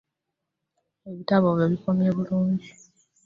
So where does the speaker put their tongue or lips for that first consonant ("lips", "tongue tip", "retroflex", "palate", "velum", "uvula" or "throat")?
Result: lips